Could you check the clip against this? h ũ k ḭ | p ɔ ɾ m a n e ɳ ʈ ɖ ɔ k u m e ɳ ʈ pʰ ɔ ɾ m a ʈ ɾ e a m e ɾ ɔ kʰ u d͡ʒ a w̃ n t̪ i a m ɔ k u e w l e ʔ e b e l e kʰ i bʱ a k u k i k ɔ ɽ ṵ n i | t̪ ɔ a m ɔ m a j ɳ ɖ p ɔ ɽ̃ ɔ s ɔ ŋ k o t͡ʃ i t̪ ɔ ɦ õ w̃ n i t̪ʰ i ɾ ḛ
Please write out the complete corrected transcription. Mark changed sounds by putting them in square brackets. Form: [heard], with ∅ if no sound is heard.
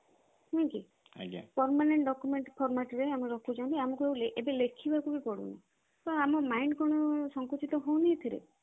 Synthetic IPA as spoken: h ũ k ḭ | p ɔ ɾ m a n e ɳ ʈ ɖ ɔ k u m e ɳ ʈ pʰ ɔ ɾ m a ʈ ɾ e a m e ɾ ɔ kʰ u d͡ʒ a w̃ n t̪ i a m ɔ k u e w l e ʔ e b e l e kʰ i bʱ a k u k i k ɔ ɽ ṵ n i | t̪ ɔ a m ɔ m a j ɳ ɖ [k] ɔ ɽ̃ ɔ s ɔ ŋ k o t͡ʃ i t̪ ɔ ɦ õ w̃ n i t̪ʰ i ɾ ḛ